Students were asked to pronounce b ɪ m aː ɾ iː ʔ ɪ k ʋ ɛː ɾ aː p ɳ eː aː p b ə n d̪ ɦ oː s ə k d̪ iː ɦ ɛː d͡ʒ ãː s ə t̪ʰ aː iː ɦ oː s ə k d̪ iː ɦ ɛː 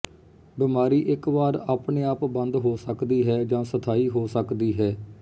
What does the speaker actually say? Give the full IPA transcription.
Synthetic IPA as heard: b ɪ m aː ɾ iː ʔ ɪ k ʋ aː ɾ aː p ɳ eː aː p b ə n d̪ ɦ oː s ə k d̪ iː ɦ ɛː d͡ʒ ãː s ə t̪ʰ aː iː ɦ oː s ə k d̪ iː ɦ ɛː